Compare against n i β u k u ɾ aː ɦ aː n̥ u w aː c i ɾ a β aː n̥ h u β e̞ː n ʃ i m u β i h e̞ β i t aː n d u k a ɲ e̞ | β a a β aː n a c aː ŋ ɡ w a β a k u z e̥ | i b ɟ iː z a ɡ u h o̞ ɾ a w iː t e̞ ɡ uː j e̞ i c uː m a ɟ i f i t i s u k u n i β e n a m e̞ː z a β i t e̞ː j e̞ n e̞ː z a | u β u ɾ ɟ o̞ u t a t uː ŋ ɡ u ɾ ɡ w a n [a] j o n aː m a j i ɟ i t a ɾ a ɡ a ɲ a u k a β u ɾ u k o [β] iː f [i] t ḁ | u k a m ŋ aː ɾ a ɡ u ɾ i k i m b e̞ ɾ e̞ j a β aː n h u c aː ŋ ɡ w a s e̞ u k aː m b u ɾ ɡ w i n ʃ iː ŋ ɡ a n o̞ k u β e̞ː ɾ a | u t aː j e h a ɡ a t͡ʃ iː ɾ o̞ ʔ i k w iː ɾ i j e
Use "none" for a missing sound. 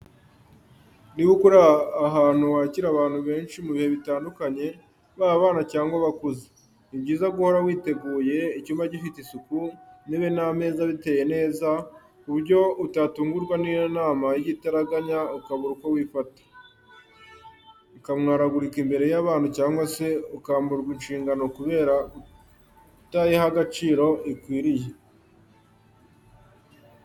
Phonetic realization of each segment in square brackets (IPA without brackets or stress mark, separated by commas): i, w, a